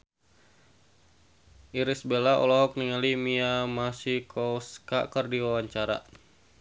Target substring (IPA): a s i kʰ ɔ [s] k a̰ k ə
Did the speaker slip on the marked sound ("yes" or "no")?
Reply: no